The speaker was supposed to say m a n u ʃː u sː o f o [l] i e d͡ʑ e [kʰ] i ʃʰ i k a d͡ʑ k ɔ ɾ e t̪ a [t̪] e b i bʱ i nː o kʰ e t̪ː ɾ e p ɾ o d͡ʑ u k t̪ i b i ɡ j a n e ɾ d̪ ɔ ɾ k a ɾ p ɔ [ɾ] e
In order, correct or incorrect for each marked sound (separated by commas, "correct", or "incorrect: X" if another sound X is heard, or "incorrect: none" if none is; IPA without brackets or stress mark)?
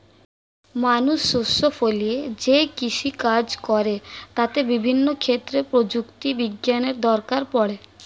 correct, incorrect: k, correct, incorrect: ɽ